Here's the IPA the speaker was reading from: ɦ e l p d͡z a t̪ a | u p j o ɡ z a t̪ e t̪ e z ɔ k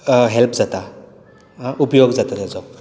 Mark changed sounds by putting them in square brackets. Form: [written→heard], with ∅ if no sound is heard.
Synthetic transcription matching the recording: ɦ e l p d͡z a t̪ a | u p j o ɡ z a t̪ [e→a] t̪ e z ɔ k

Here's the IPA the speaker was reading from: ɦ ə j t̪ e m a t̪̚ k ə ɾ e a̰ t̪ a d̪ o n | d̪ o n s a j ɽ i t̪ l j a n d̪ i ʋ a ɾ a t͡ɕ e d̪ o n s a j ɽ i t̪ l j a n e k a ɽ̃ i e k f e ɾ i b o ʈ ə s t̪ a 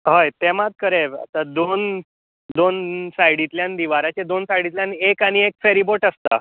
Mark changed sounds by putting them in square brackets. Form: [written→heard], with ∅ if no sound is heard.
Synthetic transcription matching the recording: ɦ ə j t̪ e m a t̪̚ k ə ɾ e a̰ t̪ a d̪ o n | d̪ o n s a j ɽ i t̪ l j a n d̪ i ʋ a ɾ a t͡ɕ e d̪ o n s a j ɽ i t̪ l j a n e k a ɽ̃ i e k f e ɾ i b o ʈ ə s t̪ a

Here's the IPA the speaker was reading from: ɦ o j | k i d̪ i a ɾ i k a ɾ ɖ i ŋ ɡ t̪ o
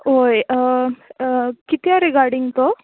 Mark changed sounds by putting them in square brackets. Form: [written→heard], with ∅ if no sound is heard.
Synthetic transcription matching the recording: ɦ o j | k i [d̪→t̪] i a ɾ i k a ɾ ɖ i ŋ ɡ t̪ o

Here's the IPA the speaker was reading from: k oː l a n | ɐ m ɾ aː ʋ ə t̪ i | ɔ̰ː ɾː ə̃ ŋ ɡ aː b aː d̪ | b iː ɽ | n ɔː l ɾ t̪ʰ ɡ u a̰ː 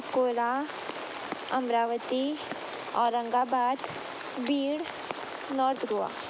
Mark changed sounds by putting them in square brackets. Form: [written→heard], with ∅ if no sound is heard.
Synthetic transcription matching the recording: k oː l a [n→∅] | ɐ m ɾ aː ʋ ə t̪ i | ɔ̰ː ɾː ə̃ ŋ ɡ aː b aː d̪ | b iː ɽ | n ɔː [l→∅] ɾ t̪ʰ ɡ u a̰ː

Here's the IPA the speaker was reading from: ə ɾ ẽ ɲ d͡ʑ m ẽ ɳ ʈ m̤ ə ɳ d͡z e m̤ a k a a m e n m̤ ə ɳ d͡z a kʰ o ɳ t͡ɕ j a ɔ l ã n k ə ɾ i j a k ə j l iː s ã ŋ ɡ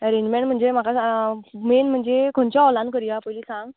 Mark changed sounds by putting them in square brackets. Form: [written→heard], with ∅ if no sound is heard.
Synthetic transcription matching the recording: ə ɾ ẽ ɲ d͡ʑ m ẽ ɳ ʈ m̤ ə ɳ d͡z e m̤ a k a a m e n m̤ ə ɳ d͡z [a→e] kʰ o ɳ t͡ɕ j a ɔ l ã n k ə ɾ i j a [k→p] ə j l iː s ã ŋ ɡ

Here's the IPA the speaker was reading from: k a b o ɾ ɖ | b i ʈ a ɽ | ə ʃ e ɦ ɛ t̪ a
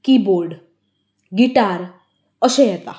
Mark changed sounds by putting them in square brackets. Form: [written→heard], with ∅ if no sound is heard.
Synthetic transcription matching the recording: k [a→i] b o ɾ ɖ | [b→ɡ] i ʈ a [ɽ→ɾ] | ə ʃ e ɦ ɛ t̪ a

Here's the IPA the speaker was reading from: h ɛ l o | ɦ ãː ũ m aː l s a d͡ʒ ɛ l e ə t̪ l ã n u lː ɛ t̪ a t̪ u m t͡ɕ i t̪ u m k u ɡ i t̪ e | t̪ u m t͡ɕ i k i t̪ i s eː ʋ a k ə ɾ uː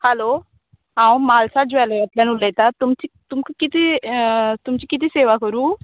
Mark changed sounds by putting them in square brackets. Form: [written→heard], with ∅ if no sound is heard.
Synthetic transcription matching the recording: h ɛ l o | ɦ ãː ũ m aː l s a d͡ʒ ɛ l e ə t̪ l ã n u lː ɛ t̪ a t̪ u m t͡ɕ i t̪ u m k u [ɡ→k] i t̪ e | t̪ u m t͡ɕ i k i t̪ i s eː ʋ a k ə ɾ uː

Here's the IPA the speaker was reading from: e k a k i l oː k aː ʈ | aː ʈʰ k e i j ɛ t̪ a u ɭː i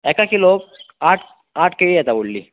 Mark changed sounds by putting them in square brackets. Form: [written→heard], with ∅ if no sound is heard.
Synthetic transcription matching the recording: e k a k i l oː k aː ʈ | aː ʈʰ k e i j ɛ t̪ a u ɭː i

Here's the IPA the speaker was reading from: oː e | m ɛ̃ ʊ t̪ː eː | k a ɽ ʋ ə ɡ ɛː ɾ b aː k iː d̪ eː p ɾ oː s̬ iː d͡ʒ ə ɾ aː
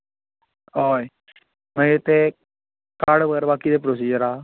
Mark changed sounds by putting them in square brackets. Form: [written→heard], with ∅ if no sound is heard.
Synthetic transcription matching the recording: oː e | m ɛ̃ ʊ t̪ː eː | k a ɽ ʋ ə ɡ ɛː ɾ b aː k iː d̪ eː p ɾ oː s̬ iː d͡ʒ ə ɾ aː

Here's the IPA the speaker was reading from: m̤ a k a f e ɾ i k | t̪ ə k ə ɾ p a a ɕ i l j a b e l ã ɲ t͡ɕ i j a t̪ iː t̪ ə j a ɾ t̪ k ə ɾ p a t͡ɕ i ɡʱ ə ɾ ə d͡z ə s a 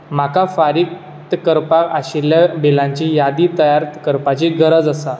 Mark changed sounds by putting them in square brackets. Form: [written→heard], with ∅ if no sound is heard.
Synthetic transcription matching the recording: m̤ a k a f [e→a] ɾ i k | t̪ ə k ə ɾ p a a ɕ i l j a b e l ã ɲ t͡ɕ i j a [t̪→d̪] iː t̪ ə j a ɾ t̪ k ə ɾ p a t͡ɕ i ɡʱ ə ɾ ə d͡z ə s a

